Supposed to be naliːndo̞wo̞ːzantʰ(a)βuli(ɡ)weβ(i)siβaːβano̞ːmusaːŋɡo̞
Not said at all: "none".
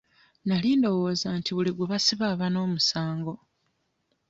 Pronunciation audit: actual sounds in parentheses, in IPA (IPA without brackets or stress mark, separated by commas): i, ɡ, a